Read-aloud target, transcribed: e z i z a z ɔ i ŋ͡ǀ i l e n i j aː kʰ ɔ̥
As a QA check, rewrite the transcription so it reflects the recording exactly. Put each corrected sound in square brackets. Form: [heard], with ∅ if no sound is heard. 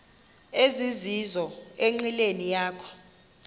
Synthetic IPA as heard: e z i z [i] z ɔ [e] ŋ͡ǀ i l e n i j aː kʰ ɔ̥